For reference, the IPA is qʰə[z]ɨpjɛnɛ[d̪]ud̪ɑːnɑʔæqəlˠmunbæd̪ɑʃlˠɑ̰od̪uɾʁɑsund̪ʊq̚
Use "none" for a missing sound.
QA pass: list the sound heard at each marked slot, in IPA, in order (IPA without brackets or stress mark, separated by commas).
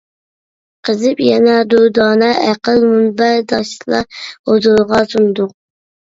z, d̪